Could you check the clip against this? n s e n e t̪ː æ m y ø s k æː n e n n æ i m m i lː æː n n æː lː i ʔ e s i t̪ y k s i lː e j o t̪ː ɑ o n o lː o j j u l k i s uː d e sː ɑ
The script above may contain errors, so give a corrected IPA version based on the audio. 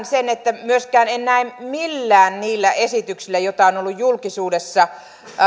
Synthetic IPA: n s e n e t̪ː æ m y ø s k æː n e n n æ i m m i lː æː n n iː lː æ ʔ e s i t̪ y k s i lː æ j o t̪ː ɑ o n o lː u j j u l k i s uː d e sː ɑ